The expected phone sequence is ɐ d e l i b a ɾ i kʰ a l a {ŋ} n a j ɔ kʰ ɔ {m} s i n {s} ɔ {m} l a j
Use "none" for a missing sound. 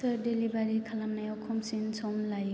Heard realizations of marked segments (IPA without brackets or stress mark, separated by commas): m, m, s, m